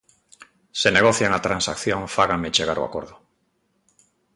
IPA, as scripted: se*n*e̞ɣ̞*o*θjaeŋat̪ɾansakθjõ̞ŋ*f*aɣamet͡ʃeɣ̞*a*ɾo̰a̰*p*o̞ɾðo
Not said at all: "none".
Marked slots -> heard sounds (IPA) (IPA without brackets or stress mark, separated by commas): n, o, f, a, k